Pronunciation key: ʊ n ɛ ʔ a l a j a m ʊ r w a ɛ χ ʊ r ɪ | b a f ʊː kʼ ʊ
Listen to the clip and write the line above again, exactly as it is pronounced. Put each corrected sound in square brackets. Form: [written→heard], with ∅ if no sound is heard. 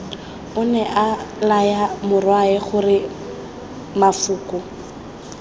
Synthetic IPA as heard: ʊ n ɛ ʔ a l a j a m ʊ r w a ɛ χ ʊ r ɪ | [b→m] a f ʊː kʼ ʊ